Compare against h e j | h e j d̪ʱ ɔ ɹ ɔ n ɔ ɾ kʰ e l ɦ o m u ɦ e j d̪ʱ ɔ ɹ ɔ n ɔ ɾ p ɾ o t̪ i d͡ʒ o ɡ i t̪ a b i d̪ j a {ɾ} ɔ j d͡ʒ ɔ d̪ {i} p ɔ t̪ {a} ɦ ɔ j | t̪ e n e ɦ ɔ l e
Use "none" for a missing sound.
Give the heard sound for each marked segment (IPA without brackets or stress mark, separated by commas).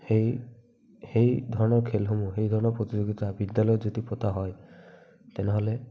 l, i, a